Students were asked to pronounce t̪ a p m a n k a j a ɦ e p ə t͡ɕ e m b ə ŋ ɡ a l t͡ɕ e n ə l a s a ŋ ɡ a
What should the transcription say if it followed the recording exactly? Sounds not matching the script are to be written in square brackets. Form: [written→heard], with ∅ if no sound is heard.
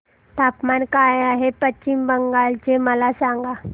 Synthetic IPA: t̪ a p m a n k a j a ɦ e p ə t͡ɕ [e→i] m b ə ŋ ɡ a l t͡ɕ e [n→m] ə l a s a ŋ ɡ a